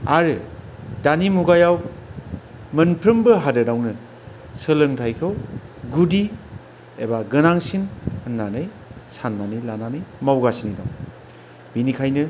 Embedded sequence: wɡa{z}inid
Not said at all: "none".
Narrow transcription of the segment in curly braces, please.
s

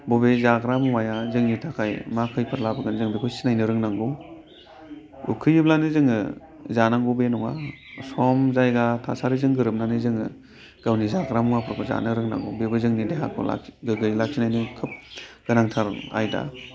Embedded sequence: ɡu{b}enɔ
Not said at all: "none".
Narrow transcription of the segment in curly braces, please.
b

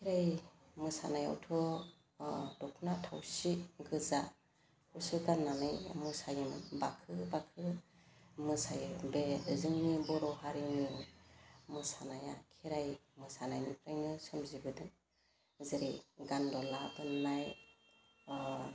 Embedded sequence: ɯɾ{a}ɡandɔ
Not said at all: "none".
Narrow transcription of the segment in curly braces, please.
i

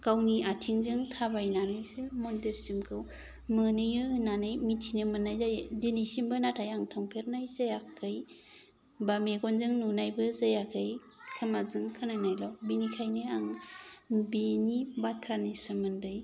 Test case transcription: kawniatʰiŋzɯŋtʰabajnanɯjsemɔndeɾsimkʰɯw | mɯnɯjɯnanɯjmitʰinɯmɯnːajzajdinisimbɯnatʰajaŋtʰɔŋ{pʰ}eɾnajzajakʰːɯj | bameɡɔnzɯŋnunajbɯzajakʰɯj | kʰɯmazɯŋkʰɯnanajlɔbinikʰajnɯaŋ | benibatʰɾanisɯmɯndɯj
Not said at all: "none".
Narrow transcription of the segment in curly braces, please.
pʰ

